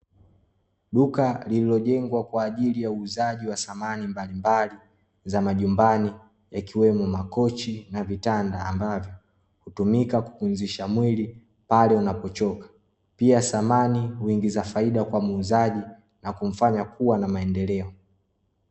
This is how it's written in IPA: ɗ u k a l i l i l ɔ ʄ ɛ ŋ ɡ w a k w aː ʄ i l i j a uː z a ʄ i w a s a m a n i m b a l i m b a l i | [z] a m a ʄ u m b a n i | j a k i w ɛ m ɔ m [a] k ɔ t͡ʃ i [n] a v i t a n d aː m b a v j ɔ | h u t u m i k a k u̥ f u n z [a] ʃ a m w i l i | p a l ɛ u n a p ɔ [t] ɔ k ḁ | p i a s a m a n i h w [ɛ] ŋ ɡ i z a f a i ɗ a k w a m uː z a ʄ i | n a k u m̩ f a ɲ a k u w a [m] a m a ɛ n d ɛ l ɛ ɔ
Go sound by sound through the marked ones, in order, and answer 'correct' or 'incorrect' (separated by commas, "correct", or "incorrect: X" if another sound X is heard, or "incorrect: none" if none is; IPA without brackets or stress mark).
correct, correct, correct, incorrect: i, incorrect: t͡ʃ, incorrect: i, incorrect: n